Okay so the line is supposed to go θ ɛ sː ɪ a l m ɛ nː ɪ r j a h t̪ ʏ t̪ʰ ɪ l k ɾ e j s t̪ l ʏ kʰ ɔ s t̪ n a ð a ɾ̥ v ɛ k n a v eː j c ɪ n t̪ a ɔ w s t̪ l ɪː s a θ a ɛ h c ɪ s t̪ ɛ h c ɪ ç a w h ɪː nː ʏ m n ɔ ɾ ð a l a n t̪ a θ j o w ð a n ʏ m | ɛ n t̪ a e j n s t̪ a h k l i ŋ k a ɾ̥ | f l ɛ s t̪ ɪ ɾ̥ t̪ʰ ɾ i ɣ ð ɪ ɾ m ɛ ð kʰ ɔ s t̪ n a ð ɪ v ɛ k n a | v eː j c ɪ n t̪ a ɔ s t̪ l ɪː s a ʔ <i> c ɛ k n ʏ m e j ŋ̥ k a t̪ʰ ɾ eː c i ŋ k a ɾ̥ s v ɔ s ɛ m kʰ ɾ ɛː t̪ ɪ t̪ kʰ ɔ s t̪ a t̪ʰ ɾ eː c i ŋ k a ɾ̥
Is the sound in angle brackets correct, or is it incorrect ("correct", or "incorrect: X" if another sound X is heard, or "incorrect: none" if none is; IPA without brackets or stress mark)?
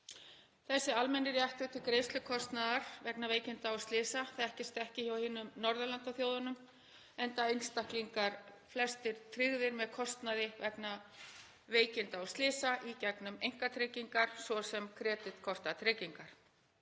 correct